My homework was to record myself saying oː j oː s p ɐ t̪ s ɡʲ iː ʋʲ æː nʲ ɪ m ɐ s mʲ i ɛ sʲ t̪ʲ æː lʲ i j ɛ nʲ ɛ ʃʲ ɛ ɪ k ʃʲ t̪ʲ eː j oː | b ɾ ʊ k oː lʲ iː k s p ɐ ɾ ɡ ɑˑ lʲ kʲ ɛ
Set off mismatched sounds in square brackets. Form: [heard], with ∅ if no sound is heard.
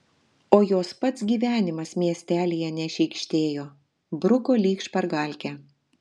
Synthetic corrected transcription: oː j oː s p ɐ t̪ s ɡʲ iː ʋʲ æː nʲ ɪ m ɐ s mʲ i ɛ sʲ t̪ʲ æː lʲ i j ɛ nʲ ɛ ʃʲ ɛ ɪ k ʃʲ t̪ʲ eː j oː | b ɾ ʊ k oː lʲ iː k [ʃ] p ɐ ɾ ɡ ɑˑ lʲ kʲ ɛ

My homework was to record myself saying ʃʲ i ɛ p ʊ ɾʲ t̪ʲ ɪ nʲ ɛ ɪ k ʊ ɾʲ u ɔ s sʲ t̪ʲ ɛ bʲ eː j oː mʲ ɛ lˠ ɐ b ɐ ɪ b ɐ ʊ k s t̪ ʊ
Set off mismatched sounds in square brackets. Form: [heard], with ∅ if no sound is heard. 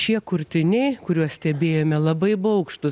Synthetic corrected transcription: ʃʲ i ɛ [k] ʊ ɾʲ t̪ʲ ɪ nʲ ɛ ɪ k ʊ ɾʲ u ɔ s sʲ t̪ʲ ɛ bʲ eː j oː mʲ ɛ lˠ ɐ b ɐ ɪ b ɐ ʊ k [ʃ] t̪ ʊ

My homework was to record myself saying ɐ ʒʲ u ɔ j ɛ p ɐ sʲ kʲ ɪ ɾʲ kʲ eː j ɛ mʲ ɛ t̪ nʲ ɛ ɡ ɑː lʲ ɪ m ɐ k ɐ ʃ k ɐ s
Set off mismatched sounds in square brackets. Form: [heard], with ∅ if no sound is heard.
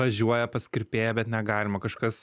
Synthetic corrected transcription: ɐ ʒʲ u ɔ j ɛ p ɐ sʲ kʲ ɪ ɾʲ [pʲ] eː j ɛ [bʲ] ɛ t̪ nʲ ɛ ɡ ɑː lʲ ɪ m ɐ k ɐ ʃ k ɐ s

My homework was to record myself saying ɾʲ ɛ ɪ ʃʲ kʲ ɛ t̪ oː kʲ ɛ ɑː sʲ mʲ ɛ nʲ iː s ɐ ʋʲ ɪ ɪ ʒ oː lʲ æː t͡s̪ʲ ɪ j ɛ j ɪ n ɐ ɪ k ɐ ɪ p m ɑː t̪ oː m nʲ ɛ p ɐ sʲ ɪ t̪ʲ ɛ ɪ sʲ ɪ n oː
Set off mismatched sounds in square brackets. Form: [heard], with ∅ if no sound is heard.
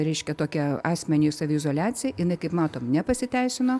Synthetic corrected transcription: ɾʲ ɛ ɪ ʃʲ kʲ ɛ t̪ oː kʲ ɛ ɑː sʲ mʲ ɛ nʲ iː s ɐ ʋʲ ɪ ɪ [z] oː lʲ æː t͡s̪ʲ ɪ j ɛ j ɪ n ɐ ɪ k ɐ ɪ p m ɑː t̪ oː m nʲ ɛ p ɐ sʲ ɪ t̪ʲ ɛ ɪ sʲ ɪ n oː

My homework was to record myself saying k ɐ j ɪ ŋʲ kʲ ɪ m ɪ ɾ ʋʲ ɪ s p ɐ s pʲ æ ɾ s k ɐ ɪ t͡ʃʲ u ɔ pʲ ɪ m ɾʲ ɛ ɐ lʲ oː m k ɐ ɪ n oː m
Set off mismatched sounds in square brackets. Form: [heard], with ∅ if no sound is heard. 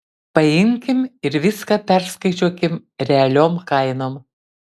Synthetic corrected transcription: [p] ɐ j ɪ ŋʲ kʲ ɪ m ɪ ɾ ʋʲ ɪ s [k] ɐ [∅] pʲ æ ɾ s k ɐ ɪ t͡ʃʲ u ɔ [kʲ] ɪ m ɾʲ ɛ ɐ lʲ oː m k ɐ ɪ n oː m

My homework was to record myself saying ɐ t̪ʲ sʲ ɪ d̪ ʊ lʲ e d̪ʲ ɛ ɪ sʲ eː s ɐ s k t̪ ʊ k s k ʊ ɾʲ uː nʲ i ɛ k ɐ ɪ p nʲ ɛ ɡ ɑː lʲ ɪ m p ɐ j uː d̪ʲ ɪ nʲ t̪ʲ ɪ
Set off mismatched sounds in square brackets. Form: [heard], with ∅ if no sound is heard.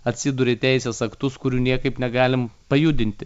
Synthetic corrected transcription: ɐ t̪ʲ sʲ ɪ d̪ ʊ [ɾʲ] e [t̪ʲ] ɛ ɪ sʲ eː s ɐ [∅] k t̪ ʊ [∅] s k ʊ ɾʲ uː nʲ i ɛ k ɐ ɪ p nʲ ɛ ɡ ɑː lʲ ɪ m p ɐ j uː d̪ʲ ɪ nʲ t̪ʲ ɪ

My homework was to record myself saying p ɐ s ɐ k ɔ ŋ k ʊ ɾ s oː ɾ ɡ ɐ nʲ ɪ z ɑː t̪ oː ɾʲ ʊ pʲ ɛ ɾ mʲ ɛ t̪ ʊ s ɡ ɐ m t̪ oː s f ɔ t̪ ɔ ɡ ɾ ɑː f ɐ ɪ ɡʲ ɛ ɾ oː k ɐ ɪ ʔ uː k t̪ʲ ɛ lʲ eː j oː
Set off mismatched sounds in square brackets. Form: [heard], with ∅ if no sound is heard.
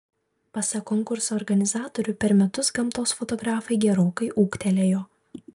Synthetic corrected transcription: p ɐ s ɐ k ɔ ŋ k ʊ ɾ s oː ɾ ɡ ɐ nʲ ɪ z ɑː t̪ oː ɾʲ ʊ pʲ ɛ ɾ mʲ ɛ t̪ ʊ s ɡ ɐ m t̪ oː s f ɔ t̪ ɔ ɡ ɾ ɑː f ɐ ɪ ɡʲ ɛ ɾ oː k ɐ ɪ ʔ uː k t̪ʲ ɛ lʲ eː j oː

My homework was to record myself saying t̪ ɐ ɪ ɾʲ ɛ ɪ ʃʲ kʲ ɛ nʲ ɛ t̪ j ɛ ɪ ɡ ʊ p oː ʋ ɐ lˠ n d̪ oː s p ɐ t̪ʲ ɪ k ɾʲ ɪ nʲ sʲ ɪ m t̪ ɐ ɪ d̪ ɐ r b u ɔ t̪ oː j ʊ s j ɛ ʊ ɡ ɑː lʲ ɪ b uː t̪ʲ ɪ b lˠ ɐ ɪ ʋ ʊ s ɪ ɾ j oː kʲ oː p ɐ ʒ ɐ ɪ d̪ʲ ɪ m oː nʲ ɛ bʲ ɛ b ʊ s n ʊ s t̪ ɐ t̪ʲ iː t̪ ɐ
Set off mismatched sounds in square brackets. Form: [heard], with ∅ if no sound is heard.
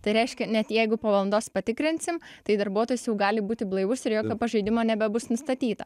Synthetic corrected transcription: t̪ ɐ ɪ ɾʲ ɛ ɪ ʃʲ kʲ ɛ nʲ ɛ t̪ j ɛ ɪ ɡ ʊ p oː ʋ ɐ lˠ n d̪ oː s p ɐ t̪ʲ ɪ k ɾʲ ɪ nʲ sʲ ɪ m t̪ ɐ ɪ d̪ ɐ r b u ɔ t̪ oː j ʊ s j ɛ ʊ ɡ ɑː lʲ ɪ b uː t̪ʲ ɪ b lˠ ɐ ɪ ʋ ʊ s ɪ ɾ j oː kʲ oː p ɐ ʒ ɐ ɪ d̪ʲ ɪ m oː nʲ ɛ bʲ ɛ b ʊ s n ʊ s t̪ ɐ t̪ʲ iː t̪ ɐ

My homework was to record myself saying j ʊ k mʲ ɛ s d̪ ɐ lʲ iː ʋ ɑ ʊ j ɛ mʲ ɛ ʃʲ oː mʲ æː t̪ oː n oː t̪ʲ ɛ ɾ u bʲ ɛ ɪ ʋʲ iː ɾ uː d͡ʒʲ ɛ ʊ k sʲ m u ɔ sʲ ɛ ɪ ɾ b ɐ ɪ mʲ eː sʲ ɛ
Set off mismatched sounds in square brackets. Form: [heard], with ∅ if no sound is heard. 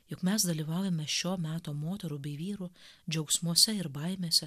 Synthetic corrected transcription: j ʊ k mʲ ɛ s d̪ ɐ lʲ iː ʋ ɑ ʊ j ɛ mʲ ɛ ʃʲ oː mʲ æː t̪ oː [m] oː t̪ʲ ɛ ɾ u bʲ ɛ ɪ ʋʲ iː ɾ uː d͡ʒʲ ɛ ʊ k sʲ m u ɔ sʲ ɛ ɪ ɾ b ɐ ɪ mʲ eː sʲ ɛ

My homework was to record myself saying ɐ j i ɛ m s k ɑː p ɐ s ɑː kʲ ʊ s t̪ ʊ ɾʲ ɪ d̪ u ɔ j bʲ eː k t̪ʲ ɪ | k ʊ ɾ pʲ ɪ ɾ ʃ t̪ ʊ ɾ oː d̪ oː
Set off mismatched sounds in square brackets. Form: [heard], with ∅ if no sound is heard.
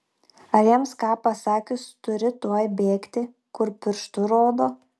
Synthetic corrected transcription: ɐ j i ɛ m s k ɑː p ɐ s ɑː kʲ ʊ s t̪ ʊ ɾʲ ɪ [t̪] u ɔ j bʲ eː k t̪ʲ ɪ | k ʊ ɾ pʲ ɪ ɾ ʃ t̪ ʊ ɾ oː d̪ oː

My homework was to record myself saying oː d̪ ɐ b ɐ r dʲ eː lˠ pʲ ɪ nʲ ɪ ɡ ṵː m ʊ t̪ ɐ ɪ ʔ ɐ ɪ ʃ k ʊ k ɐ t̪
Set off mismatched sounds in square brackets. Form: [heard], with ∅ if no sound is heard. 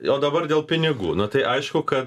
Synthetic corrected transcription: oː d̪ ɐ b ɐ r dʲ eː lˠ pʲ ɪ nʲ ɪ ɡ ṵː [n] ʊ t̪ ɐ ɪ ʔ ɐ ɪ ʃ k ʊ k ɐ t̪

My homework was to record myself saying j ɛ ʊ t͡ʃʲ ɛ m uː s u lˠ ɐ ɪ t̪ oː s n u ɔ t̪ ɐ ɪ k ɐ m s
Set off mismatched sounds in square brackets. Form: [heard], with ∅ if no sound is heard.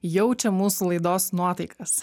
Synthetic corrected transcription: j ɛ ʊ t͡ʃʲ ɛ m uː s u lˠ ɐ ɪ [d̪] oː s n u ɔ t̪ ɐ ɪ k ɐ [∅] s

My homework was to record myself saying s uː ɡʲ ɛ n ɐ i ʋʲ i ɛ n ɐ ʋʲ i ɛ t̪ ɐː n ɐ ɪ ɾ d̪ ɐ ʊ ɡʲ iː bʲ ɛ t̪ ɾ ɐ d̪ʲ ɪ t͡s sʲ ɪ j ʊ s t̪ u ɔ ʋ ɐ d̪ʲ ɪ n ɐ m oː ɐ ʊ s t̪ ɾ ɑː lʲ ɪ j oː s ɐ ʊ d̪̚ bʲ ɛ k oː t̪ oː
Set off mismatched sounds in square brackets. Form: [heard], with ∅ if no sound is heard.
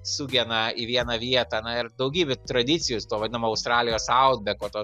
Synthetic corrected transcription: s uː ɡʲ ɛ n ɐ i ʋʲ i ɛ n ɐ ʋʲ i ɛ t̪ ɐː n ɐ ɪ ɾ d̪ ɐ ʊ ɡʲ iː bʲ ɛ t̪ ɾ ɐ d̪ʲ ɪ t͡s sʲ ɪ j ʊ s t̪ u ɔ ʋ ɐ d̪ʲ ɪ n ɐ m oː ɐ ʊ s t̪ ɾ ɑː lʲ ɪ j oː s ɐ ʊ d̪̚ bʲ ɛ k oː t̪ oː

